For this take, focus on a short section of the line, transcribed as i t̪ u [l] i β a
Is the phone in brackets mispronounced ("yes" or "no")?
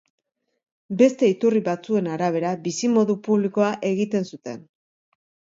yes